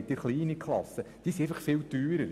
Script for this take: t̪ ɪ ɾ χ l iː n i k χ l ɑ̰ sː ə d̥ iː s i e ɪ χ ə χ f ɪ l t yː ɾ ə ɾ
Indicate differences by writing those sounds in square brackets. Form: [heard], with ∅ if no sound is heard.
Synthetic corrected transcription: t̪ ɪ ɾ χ l iː n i k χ l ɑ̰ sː ə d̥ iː s i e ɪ [f] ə χ f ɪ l t yː ɾ ə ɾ